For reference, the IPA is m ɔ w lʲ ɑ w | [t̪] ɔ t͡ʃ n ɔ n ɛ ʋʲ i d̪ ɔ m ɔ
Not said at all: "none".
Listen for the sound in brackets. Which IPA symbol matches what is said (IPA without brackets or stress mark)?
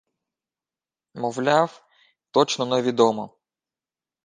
t̪